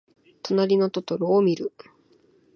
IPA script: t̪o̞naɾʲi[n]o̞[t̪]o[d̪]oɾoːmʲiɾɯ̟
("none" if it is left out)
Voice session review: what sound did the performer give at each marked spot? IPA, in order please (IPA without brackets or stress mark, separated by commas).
n, t̪, t̪